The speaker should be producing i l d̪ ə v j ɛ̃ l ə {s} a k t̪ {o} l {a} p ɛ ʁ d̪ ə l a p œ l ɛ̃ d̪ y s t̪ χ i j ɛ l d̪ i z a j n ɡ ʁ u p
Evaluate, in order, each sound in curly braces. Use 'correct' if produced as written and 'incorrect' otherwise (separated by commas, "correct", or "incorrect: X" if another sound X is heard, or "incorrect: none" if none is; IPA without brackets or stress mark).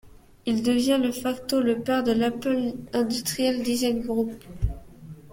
incorrect: f, correct, incorrect: ə